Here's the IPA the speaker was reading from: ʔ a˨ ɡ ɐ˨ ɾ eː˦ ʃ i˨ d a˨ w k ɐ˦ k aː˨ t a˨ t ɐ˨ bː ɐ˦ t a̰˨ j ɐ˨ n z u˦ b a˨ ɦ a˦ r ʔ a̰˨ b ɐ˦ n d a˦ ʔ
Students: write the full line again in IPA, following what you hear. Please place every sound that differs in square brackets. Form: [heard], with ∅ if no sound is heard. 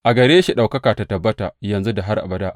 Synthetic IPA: ʔ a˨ ɡ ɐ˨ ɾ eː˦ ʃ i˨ [ɗ] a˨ w k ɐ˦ k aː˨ t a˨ t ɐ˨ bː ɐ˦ t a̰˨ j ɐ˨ n z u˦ [d] a˨ ɦ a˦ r ʔ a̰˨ b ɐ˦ [∅] d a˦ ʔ